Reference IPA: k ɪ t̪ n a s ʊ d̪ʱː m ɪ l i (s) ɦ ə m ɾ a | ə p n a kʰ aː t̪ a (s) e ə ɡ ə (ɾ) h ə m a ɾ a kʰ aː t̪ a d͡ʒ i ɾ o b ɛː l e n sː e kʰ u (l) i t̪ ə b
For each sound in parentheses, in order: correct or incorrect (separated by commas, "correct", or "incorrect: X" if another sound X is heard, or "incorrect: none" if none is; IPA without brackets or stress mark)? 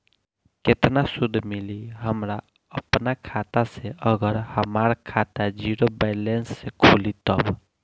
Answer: incorrect: none, correct, correct, correct